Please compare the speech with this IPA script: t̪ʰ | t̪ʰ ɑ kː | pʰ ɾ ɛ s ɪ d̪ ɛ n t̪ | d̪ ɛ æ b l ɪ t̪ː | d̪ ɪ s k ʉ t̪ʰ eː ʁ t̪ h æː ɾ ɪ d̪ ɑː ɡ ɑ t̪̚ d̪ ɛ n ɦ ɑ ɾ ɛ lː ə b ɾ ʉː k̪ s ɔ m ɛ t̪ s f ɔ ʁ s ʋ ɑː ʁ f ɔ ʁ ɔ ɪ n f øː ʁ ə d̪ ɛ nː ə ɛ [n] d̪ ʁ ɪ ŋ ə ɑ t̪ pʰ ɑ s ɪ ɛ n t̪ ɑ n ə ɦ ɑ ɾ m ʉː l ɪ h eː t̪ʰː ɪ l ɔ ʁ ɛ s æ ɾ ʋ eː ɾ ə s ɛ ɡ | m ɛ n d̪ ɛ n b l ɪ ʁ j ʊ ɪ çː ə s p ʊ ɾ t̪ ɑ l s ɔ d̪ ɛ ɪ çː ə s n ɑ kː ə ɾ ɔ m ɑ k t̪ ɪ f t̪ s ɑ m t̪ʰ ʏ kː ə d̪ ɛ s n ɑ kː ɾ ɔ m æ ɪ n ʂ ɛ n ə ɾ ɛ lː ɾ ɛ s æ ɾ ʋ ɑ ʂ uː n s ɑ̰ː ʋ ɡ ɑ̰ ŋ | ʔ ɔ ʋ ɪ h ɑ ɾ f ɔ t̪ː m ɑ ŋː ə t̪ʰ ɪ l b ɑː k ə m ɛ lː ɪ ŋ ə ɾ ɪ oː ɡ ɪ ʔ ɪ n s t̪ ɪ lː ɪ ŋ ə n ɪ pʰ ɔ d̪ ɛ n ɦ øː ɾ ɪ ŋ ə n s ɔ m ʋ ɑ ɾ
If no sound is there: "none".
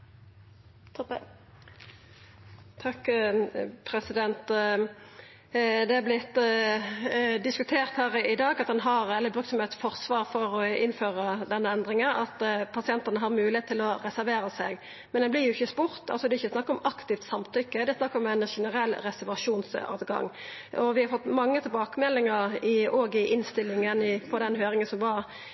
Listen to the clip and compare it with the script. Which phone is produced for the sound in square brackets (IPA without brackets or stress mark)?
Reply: n